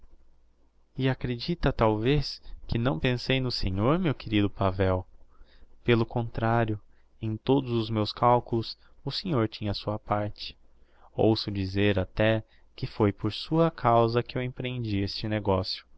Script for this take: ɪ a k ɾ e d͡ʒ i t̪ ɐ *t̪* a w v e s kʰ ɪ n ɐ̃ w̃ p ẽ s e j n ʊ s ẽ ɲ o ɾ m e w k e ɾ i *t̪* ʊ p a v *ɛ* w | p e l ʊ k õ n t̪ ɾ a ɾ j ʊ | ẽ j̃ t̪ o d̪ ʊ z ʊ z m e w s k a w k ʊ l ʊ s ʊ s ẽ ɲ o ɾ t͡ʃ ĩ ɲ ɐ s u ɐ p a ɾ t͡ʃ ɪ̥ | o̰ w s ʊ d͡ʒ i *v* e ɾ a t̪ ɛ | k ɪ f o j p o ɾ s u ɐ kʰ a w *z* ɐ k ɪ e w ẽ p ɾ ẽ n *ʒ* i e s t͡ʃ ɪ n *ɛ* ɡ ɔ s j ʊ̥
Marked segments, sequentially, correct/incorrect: correct, incorrect, correct, incorrect, correct, incorrect, incorrect

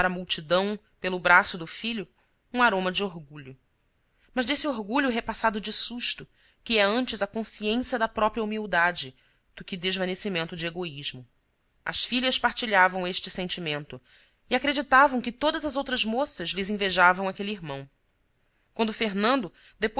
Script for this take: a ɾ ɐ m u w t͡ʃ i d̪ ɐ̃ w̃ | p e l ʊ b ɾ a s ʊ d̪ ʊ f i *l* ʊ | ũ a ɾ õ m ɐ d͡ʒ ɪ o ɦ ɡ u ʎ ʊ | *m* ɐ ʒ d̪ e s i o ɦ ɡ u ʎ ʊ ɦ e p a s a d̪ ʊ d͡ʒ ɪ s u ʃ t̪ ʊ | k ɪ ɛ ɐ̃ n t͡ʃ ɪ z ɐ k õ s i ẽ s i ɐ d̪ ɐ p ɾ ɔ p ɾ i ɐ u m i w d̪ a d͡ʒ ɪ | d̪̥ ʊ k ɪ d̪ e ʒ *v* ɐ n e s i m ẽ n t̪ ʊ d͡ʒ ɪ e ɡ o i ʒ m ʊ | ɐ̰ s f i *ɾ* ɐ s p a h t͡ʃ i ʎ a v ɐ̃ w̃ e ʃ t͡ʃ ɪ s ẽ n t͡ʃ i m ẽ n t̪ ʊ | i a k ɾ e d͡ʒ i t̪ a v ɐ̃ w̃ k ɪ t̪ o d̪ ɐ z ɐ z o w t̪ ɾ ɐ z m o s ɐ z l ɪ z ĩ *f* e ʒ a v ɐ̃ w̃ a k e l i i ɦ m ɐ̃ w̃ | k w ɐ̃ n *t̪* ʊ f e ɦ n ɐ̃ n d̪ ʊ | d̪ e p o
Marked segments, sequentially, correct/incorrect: incorrect, correct, correct, incorrect, incorrect, incorrect

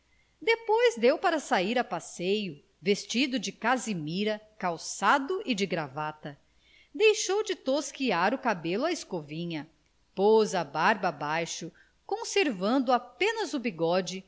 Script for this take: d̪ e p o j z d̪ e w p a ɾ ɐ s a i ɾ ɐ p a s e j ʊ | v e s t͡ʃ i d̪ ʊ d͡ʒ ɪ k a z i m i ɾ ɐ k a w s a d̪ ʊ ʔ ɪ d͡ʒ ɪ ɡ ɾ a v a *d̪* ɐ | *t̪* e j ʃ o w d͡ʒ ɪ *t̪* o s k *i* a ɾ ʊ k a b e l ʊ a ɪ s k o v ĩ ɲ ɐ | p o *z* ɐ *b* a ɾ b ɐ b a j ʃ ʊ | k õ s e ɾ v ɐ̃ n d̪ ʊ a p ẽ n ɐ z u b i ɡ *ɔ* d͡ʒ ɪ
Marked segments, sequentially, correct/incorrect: incorrect, incorrect, correct, correct, correct, correct, correct

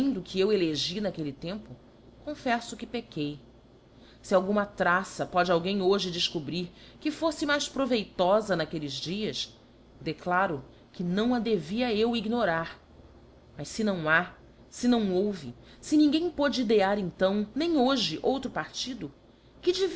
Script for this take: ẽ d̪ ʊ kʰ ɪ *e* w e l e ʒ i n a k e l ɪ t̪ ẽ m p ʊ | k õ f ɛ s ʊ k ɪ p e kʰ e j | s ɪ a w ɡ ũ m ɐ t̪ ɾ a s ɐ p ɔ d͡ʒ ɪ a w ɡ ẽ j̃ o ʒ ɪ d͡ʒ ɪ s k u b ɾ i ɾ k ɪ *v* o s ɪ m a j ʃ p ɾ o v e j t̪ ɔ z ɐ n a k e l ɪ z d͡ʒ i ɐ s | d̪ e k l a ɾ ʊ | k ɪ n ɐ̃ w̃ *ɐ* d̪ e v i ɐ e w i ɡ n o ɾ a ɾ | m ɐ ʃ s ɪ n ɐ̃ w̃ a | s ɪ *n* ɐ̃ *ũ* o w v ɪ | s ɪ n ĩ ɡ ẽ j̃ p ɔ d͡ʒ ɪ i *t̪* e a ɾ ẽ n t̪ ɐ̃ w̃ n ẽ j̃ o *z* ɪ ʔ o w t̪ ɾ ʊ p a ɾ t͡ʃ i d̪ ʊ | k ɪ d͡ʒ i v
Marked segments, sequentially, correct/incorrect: correct, incorrect, correct, correct, incorrect, incorrect, incorrect

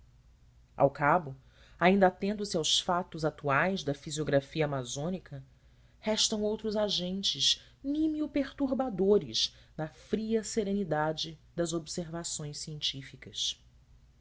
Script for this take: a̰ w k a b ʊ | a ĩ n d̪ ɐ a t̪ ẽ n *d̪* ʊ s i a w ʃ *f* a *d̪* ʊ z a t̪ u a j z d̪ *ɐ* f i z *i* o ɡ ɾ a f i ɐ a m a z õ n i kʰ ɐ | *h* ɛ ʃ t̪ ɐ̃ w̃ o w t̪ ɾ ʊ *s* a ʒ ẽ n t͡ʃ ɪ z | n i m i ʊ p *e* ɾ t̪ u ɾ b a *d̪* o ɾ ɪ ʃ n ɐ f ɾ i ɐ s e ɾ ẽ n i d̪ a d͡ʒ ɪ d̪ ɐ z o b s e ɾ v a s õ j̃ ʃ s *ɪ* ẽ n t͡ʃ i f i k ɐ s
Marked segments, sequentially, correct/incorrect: correct, correct, incorrect, correct, correct, correct, incorrect, correct, correct, incorrect

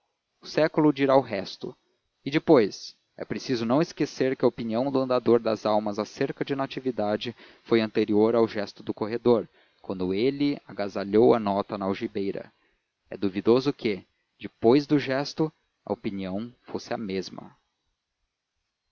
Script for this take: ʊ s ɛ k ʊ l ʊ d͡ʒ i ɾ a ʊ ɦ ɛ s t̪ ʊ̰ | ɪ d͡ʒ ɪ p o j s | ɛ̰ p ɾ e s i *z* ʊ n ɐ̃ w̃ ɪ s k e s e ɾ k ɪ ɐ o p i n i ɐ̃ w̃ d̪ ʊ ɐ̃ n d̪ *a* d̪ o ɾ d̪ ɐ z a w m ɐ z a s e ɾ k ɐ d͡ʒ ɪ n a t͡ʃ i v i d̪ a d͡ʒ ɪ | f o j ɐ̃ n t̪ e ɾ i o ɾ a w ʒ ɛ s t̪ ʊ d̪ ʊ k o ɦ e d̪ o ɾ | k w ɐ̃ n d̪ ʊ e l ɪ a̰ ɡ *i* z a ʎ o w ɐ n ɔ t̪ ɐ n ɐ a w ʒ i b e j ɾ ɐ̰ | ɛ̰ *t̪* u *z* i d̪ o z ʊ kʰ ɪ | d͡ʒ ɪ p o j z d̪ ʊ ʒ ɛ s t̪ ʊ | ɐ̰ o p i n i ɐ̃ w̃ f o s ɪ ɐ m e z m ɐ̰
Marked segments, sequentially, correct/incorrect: correct, correct, incorrect, incorrect, incorrect

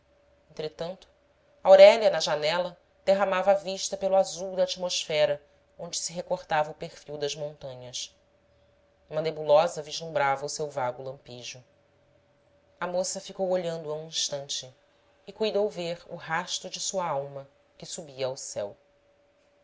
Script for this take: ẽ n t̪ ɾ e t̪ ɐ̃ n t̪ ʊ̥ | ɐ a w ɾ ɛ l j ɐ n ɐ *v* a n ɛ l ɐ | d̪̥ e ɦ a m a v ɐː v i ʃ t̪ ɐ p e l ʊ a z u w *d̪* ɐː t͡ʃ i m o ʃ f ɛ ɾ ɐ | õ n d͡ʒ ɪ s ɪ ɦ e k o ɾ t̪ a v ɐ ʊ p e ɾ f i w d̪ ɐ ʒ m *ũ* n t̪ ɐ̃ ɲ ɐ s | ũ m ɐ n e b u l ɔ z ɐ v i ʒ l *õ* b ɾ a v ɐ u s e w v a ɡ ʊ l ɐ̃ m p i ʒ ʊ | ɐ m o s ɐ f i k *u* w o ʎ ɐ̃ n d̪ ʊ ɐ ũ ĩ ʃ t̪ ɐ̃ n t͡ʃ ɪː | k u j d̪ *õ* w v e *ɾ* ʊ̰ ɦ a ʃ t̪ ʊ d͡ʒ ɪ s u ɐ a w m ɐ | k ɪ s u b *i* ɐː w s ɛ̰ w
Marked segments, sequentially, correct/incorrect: incorrect, correct, incorrect, incorrect, incorrect, incorrect, correct, correct

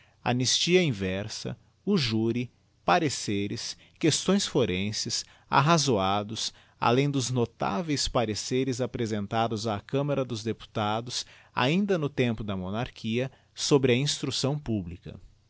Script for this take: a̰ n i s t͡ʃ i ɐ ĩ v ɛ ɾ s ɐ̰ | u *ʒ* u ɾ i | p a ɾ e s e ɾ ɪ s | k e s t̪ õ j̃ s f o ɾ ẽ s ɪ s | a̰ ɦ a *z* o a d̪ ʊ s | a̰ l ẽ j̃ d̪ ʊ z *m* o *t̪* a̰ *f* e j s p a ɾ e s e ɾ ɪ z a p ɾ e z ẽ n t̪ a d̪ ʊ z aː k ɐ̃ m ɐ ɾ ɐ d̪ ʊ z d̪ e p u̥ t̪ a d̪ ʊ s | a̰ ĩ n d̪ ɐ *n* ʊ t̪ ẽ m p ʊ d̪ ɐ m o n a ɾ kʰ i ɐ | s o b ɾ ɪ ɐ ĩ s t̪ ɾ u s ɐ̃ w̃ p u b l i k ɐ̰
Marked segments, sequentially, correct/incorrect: correct, correct, incorrect, correct, incorrect, correct

